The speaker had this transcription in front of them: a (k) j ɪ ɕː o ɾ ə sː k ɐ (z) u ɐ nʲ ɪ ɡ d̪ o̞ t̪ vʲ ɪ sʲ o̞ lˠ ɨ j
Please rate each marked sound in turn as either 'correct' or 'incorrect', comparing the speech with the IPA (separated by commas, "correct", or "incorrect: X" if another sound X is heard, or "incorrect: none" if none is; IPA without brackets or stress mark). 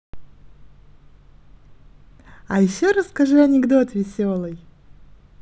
incorrect: none, incorrect: ʐ